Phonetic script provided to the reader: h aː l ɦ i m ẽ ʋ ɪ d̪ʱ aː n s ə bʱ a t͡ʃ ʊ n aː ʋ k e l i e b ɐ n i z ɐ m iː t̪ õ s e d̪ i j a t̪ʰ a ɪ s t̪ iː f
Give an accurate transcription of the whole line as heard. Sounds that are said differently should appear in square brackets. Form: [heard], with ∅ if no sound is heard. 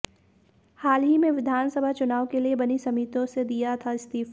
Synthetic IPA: h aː l ɦ i m ẽ ʋ ɪ d̪ʱ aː n s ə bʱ a t͡ʃ ʊ n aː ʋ k e l i e b ɐ n i [s] ɐ m iː t̪ õ s e d̪ i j a t̪ʰ a ɪ s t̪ iː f